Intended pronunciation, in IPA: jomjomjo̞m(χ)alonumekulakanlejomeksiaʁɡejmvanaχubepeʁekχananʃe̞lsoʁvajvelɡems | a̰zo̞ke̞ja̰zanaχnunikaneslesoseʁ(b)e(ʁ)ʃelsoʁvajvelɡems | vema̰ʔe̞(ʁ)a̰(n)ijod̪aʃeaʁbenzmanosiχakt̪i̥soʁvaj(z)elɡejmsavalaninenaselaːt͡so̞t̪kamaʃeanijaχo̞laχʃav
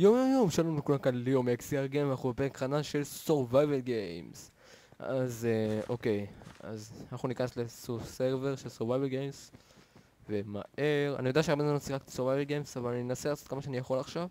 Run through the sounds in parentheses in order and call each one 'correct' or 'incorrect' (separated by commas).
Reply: incorrect, incorrect, correct, correct, correct, incorrect